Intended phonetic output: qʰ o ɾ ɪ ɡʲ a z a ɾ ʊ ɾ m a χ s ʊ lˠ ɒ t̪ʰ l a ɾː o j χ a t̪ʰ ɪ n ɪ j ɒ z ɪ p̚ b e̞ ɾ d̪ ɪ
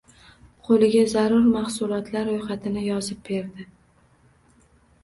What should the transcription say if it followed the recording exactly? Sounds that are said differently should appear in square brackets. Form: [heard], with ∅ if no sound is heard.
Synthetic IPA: qʰ o [l] ɪ ɡʲ a z a ɾ ʊ ɾ m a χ s ʊ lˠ ɒ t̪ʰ l a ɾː o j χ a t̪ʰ ɪ n ɪ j ɒ z ɪ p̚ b e̞ ɾ d̪ ɪ